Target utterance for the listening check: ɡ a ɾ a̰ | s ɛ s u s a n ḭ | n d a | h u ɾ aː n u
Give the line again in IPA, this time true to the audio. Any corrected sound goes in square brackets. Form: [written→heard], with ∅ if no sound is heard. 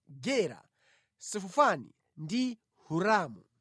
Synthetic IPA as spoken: ɡ [a→ɛ] ɾ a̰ | s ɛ [s→f] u [s→f] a n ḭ | n d [a→i] | h u ɾ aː [n→m] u